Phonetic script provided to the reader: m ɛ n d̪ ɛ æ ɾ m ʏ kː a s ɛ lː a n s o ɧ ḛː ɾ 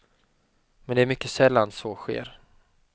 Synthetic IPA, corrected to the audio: m ɛ n d̪ ɛ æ ɾ m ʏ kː ə s ɛ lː a n s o ɧ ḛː ɾ